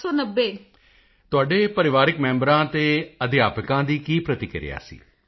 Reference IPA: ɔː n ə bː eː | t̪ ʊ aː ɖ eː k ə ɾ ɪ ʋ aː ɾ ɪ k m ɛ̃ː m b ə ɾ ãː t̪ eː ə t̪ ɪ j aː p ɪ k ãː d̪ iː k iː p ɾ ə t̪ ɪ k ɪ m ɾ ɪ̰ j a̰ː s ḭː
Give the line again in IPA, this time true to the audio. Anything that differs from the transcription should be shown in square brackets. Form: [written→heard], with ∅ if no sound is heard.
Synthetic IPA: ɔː n ə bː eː | t̪ ʊ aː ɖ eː [k→p] ə ɾ ɪ ʋ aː ɾ ɪ k m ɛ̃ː m b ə ɾ ãː t̪ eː ə [t̪→d̪] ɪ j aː p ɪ k ãː d̪ iː k iː p ɾ ə t̪ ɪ k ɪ [m→∅] ɾ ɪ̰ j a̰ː s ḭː

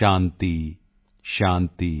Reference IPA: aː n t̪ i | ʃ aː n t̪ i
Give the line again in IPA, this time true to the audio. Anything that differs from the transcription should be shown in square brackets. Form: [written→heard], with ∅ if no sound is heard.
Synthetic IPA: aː n t̪ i | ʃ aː n t̪ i

